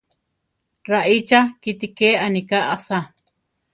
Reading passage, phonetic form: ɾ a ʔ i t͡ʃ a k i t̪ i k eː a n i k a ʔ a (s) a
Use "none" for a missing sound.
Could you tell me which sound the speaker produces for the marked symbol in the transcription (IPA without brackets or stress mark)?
s